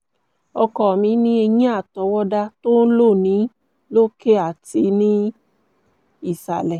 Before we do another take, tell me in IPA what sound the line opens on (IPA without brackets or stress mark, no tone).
ɔ